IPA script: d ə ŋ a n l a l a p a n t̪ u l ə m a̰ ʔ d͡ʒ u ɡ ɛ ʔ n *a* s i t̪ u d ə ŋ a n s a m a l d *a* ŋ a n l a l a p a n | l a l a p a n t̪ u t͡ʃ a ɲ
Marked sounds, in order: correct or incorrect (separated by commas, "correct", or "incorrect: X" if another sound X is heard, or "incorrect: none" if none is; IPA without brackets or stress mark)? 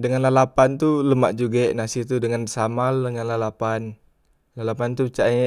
correct, incorrect: ə